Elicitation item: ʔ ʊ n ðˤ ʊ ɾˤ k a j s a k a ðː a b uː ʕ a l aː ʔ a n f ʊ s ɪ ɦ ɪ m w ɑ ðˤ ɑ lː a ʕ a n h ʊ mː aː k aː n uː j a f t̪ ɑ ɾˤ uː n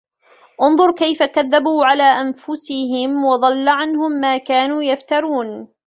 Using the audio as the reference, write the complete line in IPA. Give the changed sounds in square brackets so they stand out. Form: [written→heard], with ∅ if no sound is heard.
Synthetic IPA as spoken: ʔ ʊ n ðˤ ʊ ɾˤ k a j [s→f] a k a ðː a b uː ʕ a l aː ʔ a n f ʊ s ɪ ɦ ɪ m w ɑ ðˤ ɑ lː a ʕ a n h ʊ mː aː k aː n uː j a f t̪ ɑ ɾˤ uː n